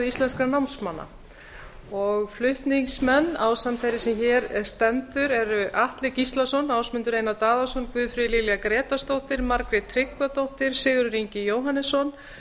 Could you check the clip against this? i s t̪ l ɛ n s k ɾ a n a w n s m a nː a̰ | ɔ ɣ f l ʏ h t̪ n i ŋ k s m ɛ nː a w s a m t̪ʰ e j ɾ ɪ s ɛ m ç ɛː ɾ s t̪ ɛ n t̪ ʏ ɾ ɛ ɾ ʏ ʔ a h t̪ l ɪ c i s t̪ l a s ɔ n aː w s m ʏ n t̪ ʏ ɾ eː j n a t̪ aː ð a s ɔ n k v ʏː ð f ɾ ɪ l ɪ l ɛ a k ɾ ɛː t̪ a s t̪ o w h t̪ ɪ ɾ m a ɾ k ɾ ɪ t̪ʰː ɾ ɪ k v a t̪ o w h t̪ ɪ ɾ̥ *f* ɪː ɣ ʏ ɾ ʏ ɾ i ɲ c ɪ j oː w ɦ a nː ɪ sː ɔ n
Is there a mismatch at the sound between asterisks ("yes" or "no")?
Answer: yes